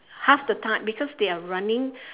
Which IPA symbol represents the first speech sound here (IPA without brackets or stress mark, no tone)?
h